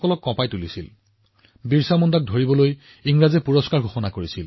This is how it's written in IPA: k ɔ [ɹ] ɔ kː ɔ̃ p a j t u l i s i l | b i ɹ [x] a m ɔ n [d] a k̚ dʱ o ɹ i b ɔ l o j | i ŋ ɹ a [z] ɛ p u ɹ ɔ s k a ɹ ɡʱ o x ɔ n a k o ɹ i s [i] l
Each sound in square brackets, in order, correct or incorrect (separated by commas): incorrect, incorrect, correct, correct, correct